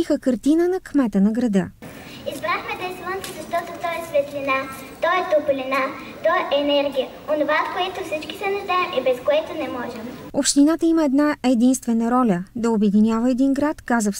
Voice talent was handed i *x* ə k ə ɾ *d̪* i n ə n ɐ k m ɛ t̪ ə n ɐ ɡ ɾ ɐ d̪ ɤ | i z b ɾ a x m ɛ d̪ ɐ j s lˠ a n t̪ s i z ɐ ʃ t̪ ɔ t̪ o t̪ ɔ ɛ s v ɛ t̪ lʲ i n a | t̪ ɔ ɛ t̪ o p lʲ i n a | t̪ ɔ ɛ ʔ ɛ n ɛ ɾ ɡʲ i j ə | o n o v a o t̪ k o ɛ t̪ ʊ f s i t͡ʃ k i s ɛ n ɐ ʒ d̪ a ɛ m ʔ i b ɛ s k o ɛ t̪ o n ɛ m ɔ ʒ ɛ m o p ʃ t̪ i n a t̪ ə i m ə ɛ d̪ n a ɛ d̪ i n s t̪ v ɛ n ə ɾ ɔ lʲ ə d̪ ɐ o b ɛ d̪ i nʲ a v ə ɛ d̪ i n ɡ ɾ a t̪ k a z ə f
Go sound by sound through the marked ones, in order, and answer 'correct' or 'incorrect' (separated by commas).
correct, incorrect